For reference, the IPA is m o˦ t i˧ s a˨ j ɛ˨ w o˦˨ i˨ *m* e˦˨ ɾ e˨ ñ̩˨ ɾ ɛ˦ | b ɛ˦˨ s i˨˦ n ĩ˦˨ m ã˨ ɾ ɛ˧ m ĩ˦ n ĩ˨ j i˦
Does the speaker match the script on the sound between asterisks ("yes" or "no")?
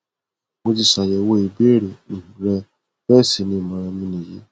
no